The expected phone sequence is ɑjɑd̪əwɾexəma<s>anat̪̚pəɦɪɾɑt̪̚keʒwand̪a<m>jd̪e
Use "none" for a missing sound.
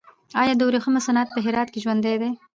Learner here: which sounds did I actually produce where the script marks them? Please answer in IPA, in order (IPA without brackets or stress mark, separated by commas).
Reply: s, none